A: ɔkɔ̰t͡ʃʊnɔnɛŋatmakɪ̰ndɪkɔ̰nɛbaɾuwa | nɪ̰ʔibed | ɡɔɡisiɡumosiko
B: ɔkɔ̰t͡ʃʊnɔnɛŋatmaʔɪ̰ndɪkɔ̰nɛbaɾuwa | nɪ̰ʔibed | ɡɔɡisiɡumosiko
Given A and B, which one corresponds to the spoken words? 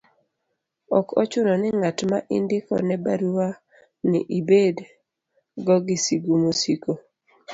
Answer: B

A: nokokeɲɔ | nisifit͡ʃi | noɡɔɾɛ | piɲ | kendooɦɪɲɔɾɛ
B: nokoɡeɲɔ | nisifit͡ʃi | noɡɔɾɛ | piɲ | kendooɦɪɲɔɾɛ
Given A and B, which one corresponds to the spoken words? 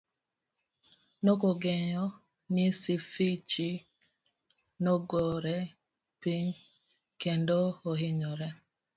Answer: B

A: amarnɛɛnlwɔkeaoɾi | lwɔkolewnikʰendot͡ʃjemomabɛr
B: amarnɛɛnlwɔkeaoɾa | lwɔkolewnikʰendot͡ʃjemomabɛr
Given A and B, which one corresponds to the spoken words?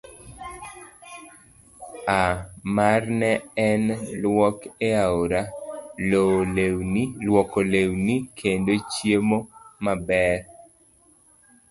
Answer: B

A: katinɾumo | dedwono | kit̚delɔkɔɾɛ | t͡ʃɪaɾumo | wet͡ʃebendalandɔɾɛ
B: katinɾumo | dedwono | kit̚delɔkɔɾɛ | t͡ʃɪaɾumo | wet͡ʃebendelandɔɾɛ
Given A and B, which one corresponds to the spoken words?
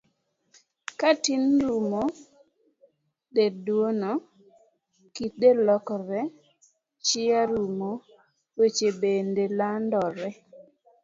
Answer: B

